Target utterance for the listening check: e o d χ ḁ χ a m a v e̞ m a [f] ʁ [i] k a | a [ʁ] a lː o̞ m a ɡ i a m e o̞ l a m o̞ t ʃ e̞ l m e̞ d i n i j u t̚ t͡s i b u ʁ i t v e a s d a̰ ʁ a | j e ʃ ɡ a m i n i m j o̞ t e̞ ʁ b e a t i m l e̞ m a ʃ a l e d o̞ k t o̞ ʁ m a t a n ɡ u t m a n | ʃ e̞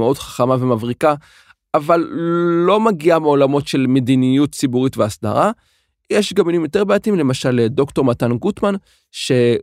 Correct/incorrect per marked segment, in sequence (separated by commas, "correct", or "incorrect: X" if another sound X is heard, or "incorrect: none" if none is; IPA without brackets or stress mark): incorrect: v, correct, incorrect: v